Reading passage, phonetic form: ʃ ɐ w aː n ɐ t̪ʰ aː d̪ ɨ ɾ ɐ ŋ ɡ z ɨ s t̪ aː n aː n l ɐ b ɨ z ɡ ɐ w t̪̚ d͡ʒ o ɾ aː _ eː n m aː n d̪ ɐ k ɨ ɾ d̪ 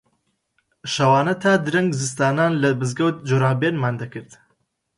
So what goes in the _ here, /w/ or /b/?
b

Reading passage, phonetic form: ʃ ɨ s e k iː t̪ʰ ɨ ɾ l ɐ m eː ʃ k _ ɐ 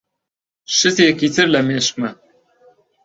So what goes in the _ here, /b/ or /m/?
m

